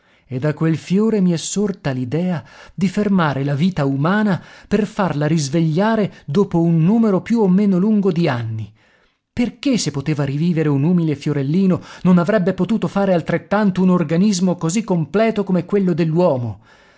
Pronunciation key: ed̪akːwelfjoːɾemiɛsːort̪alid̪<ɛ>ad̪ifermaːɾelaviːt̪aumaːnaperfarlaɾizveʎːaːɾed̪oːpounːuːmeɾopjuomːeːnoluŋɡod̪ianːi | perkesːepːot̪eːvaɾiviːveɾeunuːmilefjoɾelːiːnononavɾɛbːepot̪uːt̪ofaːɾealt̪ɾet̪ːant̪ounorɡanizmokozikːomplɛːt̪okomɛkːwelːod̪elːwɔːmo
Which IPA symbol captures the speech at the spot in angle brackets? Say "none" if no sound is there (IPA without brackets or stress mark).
ɛː